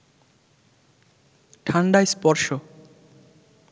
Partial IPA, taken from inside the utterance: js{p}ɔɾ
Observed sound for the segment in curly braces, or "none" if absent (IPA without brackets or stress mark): p